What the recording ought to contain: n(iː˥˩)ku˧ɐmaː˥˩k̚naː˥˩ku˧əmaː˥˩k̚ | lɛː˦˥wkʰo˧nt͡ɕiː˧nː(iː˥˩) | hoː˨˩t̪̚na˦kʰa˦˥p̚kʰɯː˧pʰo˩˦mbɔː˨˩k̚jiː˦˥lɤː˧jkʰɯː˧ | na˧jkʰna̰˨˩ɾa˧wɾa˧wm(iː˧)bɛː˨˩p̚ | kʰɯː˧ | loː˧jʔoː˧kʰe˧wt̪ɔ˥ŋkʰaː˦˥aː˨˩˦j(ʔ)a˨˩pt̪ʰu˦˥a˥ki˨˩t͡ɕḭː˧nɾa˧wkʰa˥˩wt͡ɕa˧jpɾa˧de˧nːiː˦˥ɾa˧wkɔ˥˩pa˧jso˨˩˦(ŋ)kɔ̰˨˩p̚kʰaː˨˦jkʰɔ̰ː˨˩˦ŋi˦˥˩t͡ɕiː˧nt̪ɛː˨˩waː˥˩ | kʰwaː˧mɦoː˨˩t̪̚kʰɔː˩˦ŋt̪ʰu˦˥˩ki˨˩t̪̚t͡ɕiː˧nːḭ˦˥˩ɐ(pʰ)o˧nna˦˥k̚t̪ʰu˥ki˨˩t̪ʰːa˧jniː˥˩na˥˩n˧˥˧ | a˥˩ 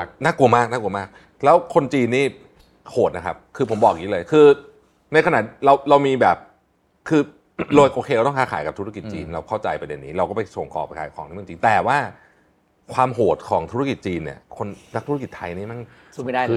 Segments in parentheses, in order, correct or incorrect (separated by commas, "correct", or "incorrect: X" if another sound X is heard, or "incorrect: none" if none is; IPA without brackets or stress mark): incorrect: aː˥˩, correct, correct, incorrect: k, correct, incorrect: kʰ